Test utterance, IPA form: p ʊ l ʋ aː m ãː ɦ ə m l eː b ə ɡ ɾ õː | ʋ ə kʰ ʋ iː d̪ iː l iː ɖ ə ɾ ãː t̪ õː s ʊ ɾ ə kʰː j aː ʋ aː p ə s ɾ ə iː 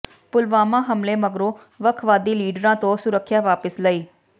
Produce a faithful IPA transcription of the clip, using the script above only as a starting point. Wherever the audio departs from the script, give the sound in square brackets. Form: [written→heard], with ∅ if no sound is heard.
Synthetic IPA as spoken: p ʊ l ʋ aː m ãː ɦ ə m l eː [b→m] ə ɡ ɾ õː | ʋ ə kʰ ʋ [iː→aː] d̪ iː l iː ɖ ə ɾ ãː t̪ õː s ʊ ɾ ə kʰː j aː ʋ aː p ə s [ɾ→l] ə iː